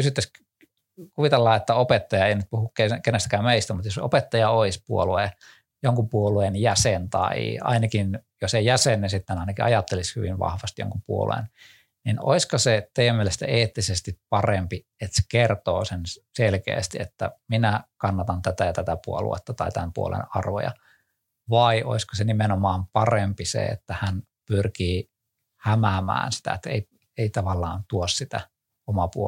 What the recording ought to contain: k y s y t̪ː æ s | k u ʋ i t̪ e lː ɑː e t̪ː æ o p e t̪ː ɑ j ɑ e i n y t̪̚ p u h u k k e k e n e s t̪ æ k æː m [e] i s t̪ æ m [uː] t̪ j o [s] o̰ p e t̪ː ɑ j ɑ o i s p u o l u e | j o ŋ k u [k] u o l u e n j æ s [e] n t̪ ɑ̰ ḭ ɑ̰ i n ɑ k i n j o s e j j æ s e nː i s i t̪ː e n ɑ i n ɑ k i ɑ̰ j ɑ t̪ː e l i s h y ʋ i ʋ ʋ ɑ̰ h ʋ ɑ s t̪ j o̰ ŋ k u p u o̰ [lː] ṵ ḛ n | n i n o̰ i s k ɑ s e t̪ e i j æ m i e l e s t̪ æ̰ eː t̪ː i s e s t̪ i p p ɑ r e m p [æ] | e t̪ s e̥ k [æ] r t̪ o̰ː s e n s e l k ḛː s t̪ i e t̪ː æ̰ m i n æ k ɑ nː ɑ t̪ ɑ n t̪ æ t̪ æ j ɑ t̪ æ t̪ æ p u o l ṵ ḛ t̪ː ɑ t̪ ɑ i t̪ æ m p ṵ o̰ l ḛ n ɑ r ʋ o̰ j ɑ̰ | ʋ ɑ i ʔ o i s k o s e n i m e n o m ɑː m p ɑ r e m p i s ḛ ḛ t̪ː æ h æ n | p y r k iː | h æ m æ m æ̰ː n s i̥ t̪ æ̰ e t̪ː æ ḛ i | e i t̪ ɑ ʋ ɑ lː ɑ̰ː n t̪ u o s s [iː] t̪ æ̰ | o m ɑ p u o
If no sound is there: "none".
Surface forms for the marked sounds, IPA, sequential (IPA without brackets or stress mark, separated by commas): e, u, s, p, e, l, i, e, i